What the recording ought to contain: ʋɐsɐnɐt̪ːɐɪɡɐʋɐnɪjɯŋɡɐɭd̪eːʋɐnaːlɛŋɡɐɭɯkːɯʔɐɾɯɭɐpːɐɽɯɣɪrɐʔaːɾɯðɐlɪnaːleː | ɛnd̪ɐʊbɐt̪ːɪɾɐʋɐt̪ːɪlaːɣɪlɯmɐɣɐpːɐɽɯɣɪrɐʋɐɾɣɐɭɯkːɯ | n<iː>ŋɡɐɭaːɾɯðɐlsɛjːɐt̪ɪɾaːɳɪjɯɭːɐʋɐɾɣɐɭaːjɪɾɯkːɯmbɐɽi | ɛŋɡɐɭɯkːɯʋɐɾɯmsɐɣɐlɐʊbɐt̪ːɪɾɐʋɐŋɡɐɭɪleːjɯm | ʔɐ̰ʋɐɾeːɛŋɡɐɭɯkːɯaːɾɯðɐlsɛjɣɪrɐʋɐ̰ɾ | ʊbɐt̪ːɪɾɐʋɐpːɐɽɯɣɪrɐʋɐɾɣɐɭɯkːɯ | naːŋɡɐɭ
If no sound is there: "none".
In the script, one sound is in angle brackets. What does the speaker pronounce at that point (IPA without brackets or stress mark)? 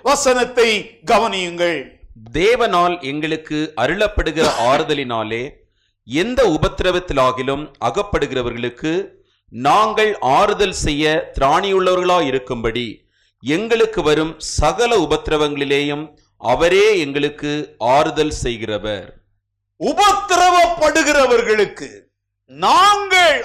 aː